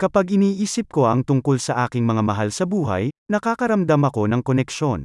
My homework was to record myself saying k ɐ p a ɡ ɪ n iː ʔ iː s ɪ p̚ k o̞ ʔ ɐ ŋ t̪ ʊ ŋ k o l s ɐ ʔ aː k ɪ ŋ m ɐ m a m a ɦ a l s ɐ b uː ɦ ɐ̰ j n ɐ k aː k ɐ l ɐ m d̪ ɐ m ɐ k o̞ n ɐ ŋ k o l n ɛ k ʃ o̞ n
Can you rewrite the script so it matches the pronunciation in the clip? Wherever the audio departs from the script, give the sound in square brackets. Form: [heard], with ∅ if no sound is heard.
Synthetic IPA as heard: k ɐ p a ɡ ɪ n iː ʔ iː s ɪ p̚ k o̞ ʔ ɐ ŋ t̪ ʊ ŋ k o l s ɐ ʔ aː k ɪ ŋ m ɐ [ŋ] a m [ɐ] ɦ a l s ɐ b uː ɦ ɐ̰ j n ɐ k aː k ɐ [ɾ] ɐ m d̪ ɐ m ɐ k o̞ n ɐ ŋ k o [∅] n ɛ k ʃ o̞ n